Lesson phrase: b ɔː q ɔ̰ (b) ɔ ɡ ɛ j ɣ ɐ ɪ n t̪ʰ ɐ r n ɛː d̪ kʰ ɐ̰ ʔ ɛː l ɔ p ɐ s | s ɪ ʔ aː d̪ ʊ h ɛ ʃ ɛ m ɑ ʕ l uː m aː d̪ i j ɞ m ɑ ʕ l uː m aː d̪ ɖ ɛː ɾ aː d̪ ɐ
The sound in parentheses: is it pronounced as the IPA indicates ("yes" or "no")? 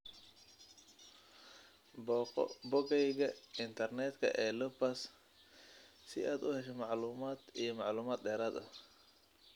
yes